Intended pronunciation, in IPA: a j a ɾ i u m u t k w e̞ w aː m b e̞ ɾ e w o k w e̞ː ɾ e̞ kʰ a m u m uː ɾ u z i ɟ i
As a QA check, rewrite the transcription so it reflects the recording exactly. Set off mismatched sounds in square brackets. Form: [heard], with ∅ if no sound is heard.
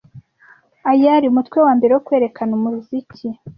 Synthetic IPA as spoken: a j a ɾ i u m u t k w e̞ w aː m b e̞ ɾ e w o k w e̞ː ɾ e̞ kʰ a [n] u m [u] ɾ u z i [c] i

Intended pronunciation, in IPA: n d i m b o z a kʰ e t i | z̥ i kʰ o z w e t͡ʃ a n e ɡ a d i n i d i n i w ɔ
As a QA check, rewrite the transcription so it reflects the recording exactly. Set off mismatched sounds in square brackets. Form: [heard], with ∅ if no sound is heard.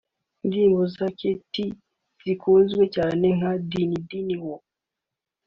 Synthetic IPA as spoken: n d i m b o z a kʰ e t i | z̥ i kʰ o z w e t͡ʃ a n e [ŋ] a d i n i d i n i w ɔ

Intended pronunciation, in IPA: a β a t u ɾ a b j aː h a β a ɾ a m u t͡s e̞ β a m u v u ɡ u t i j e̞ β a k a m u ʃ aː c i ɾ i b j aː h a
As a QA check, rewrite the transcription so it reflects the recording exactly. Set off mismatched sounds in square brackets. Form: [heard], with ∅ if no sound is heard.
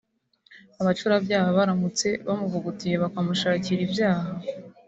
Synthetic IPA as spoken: a β a [t͡ʃ] u ɾ a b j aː h a β a ɾ a m u t͡s e̞ β a m u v u ɡ u t i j e̞ β a k a m u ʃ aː c i ɾ i b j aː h a

